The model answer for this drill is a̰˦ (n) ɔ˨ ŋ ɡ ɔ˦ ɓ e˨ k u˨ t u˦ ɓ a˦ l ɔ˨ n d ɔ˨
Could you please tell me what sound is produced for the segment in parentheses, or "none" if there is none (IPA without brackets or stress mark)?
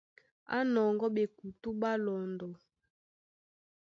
n